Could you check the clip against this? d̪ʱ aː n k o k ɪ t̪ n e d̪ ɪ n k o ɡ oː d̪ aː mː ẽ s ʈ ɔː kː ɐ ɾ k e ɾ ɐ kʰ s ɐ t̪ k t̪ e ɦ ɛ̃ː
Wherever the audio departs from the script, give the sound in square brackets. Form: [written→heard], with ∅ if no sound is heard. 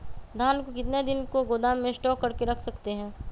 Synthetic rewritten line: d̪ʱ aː n k o k ɪ t̪ n e d̪ ɪ n k o ɡ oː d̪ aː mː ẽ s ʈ ɔː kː ɐ ɾ k e ɾ ɐ kʰ s ɐ [t̪→∅] k t̪ e ɦ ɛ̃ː